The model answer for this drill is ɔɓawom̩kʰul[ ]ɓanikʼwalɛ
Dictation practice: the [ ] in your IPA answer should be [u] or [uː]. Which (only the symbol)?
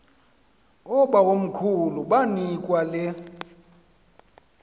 u